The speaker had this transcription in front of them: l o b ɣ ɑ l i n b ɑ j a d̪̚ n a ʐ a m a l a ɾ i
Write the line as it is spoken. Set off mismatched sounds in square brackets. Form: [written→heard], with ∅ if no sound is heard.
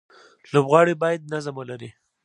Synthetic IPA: l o b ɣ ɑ [l→ɽ] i [n→∅] b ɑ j a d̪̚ n a [ʐ→z] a m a l a ɾ i